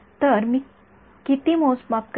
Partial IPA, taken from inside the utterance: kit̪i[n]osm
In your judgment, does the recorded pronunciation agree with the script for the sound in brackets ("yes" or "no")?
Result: no